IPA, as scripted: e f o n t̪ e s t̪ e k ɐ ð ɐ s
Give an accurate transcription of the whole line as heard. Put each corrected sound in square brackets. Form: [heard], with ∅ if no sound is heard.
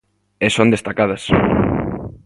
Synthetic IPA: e [s] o n [d̪] e s t̪ [a] k [a] ð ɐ s